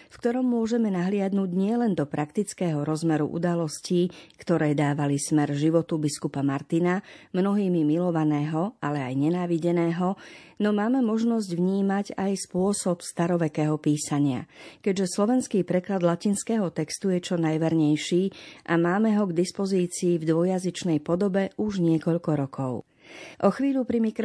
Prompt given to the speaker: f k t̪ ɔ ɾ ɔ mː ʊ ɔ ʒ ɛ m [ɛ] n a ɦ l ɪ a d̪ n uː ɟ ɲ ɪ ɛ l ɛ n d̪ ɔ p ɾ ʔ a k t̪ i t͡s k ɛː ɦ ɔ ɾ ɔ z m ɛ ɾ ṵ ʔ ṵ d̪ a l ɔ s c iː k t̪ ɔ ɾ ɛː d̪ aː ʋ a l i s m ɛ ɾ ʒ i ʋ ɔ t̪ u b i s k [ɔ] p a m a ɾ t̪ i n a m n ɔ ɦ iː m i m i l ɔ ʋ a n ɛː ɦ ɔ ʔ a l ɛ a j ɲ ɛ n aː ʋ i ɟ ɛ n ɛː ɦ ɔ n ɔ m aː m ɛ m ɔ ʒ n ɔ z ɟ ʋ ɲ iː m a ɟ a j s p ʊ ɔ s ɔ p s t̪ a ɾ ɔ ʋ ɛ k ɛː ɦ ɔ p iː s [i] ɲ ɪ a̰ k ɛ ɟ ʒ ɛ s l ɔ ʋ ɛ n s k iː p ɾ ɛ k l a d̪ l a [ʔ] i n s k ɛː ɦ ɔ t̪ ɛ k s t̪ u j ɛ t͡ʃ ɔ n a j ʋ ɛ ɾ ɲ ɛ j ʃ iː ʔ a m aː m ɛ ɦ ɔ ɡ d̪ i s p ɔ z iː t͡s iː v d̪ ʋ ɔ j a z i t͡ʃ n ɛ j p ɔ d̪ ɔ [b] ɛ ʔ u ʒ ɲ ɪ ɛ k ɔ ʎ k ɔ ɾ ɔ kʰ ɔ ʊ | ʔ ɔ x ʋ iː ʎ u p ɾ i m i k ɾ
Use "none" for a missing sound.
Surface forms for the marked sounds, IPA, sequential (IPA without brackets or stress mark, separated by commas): ɛ, u, a, c, b